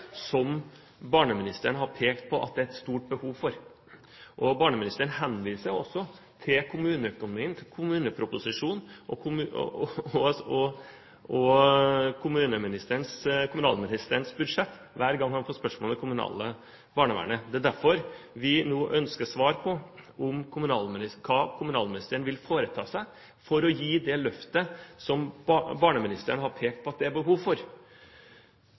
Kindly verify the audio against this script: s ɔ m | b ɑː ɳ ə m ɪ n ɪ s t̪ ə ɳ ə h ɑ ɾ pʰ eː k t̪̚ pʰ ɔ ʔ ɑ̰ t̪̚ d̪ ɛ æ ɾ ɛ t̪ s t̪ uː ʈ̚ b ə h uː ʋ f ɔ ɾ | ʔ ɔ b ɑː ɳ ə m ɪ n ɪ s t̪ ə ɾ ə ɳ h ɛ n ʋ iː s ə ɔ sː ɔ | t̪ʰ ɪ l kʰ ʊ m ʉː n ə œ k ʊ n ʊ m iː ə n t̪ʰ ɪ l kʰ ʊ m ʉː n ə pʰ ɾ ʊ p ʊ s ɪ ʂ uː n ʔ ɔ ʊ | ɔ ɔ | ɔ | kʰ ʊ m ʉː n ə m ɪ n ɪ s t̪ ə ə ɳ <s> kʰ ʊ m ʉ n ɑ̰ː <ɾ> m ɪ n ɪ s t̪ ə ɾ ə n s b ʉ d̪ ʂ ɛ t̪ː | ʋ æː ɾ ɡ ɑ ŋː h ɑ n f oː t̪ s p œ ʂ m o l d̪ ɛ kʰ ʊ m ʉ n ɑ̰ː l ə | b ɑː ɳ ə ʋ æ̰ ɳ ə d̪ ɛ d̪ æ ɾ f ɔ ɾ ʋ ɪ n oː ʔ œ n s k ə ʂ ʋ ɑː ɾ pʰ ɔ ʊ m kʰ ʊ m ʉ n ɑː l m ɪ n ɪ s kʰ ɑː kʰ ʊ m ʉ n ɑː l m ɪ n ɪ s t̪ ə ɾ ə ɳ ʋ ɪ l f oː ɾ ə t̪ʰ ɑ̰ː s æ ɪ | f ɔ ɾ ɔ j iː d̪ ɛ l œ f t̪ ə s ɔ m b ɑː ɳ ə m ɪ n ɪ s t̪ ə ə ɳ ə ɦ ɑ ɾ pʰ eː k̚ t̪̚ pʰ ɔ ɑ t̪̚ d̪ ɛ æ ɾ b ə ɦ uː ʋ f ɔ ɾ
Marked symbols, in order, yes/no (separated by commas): yes, no